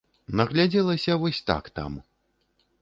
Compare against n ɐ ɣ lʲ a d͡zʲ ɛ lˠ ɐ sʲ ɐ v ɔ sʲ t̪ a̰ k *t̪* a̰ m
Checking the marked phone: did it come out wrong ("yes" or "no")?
no